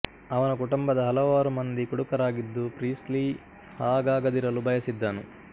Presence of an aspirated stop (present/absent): absent